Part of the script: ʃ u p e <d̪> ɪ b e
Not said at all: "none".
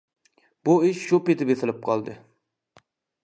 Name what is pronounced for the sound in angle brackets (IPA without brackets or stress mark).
t̪